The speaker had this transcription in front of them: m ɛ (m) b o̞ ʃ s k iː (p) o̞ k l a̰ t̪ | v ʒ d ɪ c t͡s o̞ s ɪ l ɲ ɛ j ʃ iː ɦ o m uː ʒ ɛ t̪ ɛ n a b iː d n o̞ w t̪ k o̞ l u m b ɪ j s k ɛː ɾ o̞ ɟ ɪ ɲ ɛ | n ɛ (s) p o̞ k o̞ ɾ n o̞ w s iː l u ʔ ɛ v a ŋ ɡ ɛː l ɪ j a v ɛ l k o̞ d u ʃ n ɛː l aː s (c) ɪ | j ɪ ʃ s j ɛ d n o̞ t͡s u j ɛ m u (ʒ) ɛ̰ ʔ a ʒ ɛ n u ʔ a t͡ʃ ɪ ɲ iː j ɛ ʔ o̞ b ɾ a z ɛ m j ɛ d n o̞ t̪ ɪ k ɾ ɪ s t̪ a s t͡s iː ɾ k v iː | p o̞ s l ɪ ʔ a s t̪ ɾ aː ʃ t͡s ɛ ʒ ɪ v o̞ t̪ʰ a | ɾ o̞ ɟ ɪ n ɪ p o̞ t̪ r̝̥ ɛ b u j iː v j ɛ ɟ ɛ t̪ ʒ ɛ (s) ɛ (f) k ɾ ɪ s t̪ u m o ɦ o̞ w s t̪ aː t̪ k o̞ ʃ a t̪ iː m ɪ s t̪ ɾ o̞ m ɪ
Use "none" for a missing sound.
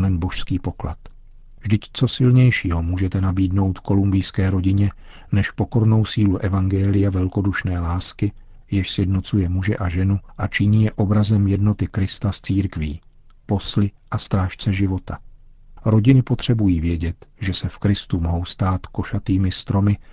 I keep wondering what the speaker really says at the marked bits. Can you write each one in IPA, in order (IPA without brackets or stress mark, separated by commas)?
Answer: n, p, ʃ, k, ʒ, s, f